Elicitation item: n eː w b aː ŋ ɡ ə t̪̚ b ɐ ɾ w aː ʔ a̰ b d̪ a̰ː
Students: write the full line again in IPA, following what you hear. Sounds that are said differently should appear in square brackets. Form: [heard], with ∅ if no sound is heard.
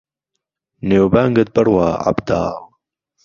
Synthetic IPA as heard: n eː w b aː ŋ ɡ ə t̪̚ b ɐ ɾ w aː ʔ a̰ b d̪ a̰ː

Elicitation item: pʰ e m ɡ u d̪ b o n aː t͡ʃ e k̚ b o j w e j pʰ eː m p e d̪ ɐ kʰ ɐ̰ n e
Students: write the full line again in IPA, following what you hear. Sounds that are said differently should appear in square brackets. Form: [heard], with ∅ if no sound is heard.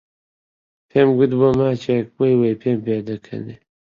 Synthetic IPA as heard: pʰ e m ɡ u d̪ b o [m] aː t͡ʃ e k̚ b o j w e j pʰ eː m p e d̪ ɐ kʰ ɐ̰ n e

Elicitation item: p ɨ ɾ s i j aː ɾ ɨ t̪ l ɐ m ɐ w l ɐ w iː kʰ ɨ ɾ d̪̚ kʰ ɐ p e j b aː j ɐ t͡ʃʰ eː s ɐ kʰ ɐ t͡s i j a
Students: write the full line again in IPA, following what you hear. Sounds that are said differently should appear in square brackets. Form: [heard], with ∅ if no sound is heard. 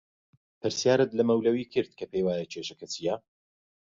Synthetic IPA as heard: p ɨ ɾ s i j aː ɾ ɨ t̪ l ɐ m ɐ w l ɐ w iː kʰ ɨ ɾ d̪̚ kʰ ɐ p e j [w] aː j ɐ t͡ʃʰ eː [ʃ] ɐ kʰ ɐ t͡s i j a

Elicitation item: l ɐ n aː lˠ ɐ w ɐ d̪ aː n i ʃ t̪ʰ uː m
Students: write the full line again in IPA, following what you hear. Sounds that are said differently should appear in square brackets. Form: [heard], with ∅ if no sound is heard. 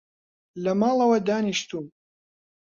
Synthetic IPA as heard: l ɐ [m] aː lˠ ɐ w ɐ d̪ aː n i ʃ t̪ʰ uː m

